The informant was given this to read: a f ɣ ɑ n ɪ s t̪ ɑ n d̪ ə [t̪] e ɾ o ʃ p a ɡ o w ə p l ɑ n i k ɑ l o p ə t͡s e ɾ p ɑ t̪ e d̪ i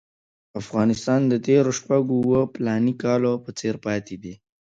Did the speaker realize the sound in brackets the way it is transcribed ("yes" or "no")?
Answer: yes